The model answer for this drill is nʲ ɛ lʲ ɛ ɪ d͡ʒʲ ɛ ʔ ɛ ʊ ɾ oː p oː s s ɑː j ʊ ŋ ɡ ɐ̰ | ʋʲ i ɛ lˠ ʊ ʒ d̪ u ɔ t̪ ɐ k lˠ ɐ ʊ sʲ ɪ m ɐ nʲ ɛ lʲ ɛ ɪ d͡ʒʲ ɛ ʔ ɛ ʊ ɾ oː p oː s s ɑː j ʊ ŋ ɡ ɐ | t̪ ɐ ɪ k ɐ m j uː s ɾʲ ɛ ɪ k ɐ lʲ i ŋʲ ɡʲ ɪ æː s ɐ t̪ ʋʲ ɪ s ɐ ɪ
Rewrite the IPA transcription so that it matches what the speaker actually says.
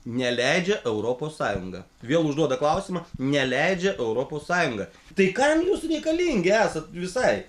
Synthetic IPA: nʲ ɛ lʲ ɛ ɪ d͡ʒʲ ɛ ʔ ɛ ʊ ɾ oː p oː s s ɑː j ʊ ŋ ɡ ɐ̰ | ʋʲ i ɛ lˠ ʊ ʒ d̪ u ɔ d̪ ɐ k lˠ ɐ ʊ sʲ ɪ m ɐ nʲ ɛ lʲ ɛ ɪ d͡ʒʲ ɛ ʔ ɛ ʊ ɾ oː p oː s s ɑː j ʊ ŋ ɡ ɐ | t̪ ɐ ɪ k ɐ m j uː s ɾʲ ɛ ɪ k ɐ lʲ i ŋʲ ɡʲ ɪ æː s ɐ t̪ ʋʲ ɪ s ɐ ɪ